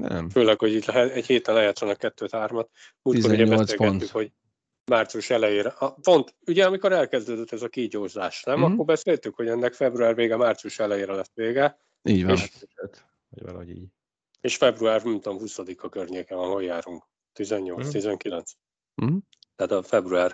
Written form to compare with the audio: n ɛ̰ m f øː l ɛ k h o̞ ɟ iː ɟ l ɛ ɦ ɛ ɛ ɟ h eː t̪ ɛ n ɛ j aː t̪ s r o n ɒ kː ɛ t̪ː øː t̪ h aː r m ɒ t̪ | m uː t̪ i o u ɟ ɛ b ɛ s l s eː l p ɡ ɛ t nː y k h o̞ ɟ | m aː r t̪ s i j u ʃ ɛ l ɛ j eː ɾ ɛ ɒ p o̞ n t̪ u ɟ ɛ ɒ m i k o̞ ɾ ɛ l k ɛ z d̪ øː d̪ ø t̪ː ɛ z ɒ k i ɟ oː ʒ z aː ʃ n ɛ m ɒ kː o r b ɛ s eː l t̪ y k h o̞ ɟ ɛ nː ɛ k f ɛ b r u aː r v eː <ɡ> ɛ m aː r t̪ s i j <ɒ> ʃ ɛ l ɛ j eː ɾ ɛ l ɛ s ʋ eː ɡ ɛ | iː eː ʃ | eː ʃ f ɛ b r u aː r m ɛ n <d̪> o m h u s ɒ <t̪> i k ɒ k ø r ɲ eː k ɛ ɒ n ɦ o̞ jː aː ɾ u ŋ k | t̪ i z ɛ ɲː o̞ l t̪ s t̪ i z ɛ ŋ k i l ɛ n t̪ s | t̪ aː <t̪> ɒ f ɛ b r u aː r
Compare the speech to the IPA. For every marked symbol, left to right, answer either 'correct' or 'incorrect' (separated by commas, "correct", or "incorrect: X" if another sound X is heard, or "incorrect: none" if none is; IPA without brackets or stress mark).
correct, incorrect: u, incorrect: t̪, incorrect: d̪, correct